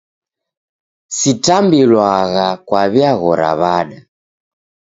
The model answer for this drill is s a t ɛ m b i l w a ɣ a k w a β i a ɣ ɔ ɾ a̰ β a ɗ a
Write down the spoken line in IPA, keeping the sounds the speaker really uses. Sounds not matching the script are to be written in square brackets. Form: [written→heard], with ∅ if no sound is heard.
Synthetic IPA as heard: s [a→i] t [ɛ→a] m b i l w a ɣ a k w a β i a ɣ ɔ ɾ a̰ β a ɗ a